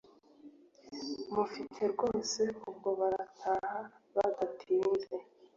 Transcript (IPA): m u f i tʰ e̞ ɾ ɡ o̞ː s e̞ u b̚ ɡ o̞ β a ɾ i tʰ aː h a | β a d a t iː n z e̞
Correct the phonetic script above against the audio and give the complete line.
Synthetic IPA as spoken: m u f i tʰ e̞ ɾ ɡ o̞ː s e̞ u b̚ ɡ o̞ β a ɾ a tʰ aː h a | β a d a tʰ iː n z e̞